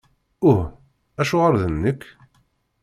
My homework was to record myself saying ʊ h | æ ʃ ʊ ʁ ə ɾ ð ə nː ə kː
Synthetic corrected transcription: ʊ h | æ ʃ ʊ ʁ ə ɾ ð ə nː ə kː